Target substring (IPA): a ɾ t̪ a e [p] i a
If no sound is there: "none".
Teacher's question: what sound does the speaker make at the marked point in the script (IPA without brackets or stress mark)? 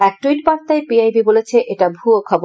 p